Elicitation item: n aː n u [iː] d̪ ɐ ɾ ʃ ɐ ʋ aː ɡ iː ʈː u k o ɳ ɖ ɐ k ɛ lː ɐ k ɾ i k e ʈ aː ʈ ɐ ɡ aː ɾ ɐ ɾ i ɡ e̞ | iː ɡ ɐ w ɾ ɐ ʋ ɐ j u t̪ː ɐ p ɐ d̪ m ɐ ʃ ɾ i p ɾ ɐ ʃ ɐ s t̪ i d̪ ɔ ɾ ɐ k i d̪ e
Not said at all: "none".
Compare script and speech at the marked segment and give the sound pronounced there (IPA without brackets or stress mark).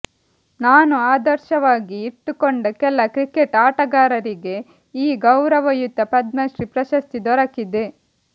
aː